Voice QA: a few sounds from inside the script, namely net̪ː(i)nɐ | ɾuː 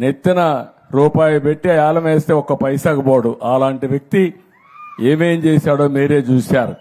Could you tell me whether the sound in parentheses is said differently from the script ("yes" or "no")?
no